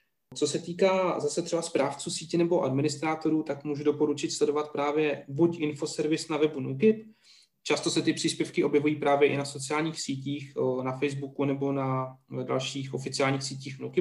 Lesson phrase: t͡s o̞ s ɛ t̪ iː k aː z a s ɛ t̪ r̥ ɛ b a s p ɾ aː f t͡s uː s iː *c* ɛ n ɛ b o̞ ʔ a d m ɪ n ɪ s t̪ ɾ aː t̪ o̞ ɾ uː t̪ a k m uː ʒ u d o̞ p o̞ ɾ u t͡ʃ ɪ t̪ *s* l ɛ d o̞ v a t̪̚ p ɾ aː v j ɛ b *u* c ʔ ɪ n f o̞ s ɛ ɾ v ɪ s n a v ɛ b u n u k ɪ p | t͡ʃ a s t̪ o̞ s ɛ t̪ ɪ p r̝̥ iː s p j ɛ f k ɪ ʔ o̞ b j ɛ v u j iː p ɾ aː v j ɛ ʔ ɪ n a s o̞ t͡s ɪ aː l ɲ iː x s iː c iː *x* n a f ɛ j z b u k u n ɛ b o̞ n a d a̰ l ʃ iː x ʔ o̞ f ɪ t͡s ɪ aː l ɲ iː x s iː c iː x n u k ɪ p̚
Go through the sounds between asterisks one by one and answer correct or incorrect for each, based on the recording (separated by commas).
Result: correct, correct, correct, correct